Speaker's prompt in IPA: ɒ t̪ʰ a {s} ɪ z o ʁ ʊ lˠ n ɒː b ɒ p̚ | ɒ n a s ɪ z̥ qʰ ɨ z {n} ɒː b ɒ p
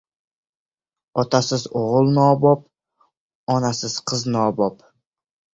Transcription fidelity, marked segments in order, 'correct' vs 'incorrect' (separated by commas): correct, correct